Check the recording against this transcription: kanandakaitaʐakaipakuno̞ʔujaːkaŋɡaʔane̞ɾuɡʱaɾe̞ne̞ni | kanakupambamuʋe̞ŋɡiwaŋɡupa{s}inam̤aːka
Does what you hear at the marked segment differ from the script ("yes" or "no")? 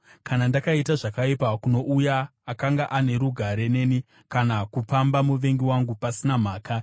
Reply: no